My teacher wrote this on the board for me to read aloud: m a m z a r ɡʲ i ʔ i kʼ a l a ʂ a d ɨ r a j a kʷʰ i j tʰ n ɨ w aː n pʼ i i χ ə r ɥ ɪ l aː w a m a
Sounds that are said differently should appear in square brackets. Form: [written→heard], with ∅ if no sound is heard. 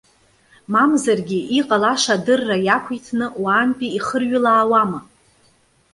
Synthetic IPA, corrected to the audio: m a m z a r ɡʲ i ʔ i [kʼ→qʼ] a l a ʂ a d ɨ [r→rː] a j a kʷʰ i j tʰ n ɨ w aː n pʼ i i χ ə r ɥ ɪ l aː w a m a